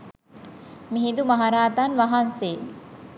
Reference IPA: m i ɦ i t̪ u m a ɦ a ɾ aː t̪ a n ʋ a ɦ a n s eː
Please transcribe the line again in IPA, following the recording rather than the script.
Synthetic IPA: m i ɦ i d̪ u m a ɦ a ɾ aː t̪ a n ʋ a ɦ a n s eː